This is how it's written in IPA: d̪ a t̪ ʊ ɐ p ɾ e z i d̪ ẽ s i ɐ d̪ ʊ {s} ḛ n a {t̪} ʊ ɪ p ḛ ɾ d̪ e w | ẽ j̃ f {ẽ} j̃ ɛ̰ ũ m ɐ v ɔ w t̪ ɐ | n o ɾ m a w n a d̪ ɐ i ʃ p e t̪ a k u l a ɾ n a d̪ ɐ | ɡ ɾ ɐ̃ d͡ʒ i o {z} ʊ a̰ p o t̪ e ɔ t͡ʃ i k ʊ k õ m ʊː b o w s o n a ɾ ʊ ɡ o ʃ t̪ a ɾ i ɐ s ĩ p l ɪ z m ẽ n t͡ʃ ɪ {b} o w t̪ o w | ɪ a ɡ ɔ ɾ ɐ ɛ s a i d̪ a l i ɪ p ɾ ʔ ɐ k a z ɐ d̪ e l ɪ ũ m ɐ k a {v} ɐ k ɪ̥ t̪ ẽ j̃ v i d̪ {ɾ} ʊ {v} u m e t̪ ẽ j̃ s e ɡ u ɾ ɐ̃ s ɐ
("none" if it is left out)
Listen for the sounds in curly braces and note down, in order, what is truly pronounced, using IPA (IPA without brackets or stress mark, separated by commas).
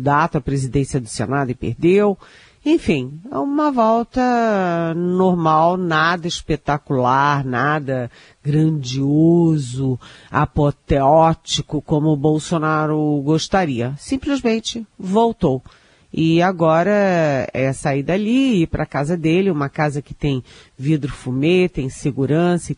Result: s, d̪, ĩ, z, v, z, ɾ, f